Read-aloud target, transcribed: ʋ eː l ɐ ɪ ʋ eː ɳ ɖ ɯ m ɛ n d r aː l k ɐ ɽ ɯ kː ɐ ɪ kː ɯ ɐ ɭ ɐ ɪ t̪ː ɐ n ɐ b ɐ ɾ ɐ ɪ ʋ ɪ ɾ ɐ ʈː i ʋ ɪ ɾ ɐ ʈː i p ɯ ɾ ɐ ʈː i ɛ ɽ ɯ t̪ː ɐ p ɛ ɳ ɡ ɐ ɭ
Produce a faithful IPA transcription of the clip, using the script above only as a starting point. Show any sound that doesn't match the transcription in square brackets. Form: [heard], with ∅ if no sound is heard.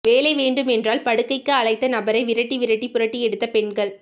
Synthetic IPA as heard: ʋ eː l ɐ ɪ ʋ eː ɳ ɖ ɯ m ɛ n d r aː l [p] ɐ ɽ ɯ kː ɐ ɪ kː ɯ ɐ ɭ ɐ ɪ t̪ː ɐ n ɐ b ɐ ɾ ɐ ɪ ʋ ɪ ɾ ɐ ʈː i ʋ ɪ ɾ ɐ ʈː i p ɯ ɾ ɐ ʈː i ɛ ɽ ɯ t̪ː ɐ p ɛ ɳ ɡ ɐ ɭ